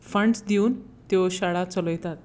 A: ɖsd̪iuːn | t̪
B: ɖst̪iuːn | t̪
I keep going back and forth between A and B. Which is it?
A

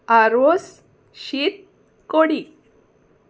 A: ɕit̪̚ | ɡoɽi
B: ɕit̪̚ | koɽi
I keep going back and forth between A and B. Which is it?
B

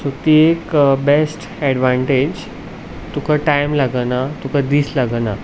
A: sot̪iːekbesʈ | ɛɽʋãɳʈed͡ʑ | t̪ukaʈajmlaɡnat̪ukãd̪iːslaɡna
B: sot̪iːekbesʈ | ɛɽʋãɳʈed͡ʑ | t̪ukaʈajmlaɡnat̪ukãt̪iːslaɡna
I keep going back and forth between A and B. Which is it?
A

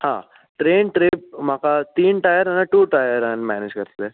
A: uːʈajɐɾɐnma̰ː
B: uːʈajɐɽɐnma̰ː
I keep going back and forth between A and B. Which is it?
A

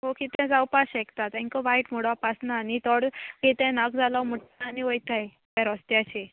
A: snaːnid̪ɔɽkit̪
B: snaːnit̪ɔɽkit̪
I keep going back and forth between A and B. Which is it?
B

